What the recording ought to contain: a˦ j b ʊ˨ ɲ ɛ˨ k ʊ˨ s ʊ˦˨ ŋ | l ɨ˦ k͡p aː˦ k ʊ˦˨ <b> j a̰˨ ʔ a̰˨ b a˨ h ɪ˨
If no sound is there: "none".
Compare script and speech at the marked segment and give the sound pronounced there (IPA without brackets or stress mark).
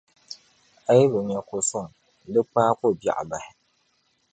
b